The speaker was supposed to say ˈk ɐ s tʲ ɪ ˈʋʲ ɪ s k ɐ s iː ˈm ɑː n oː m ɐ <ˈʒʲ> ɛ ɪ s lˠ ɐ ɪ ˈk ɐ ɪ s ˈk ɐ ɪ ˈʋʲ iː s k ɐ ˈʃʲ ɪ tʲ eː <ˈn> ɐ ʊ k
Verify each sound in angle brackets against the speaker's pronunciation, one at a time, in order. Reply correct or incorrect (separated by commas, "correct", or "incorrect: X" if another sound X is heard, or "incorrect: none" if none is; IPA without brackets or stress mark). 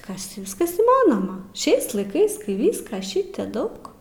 incorrect: ʃʲ, incorrect: d